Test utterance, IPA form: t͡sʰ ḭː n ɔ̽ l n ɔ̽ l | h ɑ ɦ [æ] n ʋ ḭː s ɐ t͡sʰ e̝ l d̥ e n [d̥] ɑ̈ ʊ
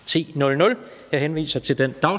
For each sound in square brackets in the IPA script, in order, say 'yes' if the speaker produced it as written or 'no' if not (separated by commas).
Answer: no, yes